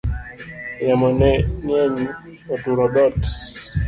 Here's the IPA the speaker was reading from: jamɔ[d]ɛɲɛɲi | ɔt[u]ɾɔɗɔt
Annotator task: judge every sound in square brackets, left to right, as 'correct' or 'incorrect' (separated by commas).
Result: incorrect, correct